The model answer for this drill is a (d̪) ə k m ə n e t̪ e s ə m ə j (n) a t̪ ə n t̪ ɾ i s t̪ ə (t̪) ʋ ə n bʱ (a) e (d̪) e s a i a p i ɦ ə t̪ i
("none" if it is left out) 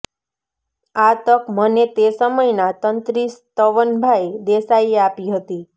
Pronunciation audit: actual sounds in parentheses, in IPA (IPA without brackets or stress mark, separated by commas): t̪, n, none, a, d̪